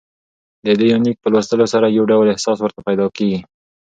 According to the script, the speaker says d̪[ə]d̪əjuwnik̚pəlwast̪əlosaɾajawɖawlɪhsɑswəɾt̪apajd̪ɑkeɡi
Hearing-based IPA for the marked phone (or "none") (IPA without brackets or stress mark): ə